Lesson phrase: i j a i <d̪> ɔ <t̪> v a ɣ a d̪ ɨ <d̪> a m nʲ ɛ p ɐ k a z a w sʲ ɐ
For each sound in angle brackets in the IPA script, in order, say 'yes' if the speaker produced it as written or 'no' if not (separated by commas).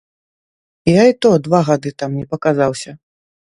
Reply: no, no, no